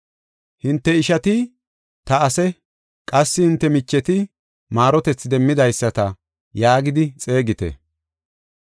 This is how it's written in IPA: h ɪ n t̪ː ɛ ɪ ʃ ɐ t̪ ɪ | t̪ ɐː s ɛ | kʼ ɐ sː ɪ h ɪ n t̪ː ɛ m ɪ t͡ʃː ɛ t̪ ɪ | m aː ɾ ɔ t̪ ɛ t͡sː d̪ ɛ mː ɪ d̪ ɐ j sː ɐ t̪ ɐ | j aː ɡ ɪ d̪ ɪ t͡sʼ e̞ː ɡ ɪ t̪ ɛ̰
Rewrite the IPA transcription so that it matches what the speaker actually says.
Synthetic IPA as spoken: h ɪ n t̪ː ɛ ɪ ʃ ɐ t̪ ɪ | t̪ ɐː s ɛ | kʼ ɐ sː ɪ h ɪ n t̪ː ɛ m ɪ t͡ʃː ɛ t̪ ɪ | m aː ɾ ɔ t̪ ɛ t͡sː d̪ ɛ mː ɪ d̪ ɐ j sː ɐ t̪ ɐ | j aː ɡ ɪ d̪ ɪ t͡sʼ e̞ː ɡ ɪ t̪ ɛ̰